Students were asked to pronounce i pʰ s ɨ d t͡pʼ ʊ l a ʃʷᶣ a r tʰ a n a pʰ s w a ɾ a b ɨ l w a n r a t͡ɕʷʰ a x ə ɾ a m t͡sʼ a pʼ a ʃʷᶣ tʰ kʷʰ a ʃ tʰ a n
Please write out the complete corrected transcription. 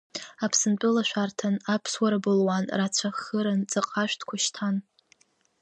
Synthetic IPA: a pʰ s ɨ n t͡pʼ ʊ l a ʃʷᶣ a r tʰ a n a pʰ s w a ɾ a b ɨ l w a n r a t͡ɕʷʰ a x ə ɾ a n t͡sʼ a qʼ a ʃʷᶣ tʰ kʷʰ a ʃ tʰ a n